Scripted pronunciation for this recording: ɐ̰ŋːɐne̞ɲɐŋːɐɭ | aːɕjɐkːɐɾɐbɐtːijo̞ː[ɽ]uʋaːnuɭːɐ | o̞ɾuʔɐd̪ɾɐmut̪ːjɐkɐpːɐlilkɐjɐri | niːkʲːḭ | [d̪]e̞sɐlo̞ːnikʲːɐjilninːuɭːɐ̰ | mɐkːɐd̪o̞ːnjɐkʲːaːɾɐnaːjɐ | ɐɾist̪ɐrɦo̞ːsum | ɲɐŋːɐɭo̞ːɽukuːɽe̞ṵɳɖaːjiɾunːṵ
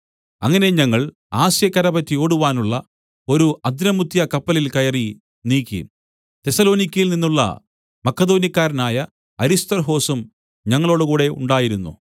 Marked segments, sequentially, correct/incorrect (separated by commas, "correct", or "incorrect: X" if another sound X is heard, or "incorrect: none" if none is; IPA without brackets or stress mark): correct, incorrect: t̪